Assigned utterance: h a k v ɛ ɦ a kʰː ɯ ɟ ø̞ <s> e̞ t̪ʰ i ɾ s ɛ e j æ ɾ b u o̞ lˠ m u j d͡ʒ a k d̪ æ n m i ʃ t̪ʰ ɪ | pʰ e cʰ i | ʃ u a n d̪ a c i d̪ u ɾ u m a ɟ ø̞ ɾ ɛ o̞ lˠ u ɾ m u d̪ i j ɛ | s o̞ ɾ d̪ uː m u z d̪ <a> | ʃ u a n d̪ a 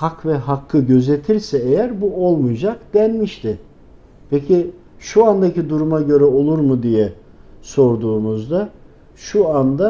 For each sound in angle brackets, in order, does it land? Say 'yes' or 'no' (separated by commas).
no, yes